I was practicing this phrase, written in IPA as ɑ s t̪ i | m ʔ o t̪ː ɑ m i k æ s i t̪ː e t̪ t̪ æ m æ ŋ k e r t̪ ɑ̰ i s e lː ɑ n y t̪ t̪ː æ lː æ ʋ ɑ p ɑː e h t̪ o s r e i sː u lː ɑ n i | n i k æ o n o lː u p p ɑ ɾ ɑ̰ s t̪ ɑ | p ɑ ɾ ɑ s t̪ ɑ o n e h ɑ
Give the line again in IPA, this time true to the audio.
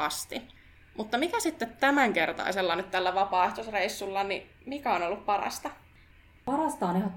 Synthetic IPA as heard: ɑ s t̪ i | m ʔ u t̪ː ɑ m i k æ s i t̪ː e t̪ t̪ æ m æ ŋ k e r t̪ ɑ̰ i s e lː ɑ n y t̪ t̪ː æ lː æ ʋ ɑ p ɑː e h t̪ o s r e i sː u lː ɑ n i | m i k æ o n o lː u p p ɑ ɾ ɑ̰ s t̪ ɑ | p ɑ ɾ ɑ s t̪ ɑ o n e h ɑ